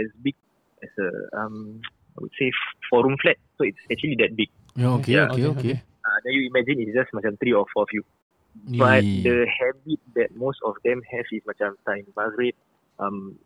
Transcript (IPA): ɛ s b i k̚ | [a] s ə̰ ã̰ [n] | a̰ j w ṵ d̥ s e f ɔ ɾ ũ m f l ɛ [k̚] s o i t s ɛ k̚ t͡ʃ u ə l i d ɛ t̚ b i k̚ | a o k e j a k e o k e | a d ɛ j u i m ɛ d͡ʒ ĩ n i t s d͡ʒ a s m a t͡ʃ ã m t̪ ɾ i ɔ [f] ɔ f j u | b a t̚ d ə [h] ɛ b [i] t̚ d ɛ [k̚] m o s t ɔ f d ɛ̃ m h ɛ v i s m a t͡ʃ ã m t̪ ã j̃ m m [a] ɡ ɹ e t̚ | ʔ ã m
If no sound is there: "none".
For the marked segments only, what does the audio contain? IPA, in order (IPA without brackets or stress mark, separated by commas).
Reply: ɛ, m, t̚, f, h, i, t̚, a